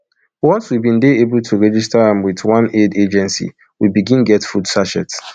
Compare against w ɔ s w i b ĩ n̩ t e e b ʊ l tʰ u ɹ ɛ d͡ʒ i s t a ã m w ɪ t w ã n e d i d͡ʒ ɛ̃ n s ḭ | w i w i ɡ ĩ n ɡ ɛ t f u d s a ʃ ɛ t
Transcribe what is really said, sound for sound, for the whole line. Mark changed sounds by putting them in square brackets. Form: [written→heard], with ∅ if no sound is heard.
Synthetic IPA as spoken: w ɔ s w i b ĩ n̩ [t→d] e e b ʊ l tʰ u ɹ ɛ d͡ʒ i s t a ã m w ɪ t w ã n e d [i→e] d͡ʒ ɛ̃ n s ḭ | w i [w→b] i ɡ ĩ n ɡ ɛ t f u d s a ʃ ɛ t